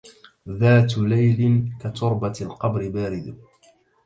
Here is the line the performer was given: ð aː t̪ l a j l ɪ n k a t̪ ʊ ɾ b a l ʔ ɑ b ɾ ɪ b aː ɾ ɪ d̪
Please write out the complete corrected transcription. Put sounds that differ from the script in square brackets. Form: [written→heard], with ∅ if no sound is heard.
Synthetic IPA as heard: ð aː t̪ l a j l ɪ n k a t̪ ʊ ɾ b a l [ʔ→q] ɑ b ɾ ɪ b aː ɾ ɪ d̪